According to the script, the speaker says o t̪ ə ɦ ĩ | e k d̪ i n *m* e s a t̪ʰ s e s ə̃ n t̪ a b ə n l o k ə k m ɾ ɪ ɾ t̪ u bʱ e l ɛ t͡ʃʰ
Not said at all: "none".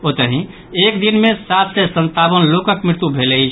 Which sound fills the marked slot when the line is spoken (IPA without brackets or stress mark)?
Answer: m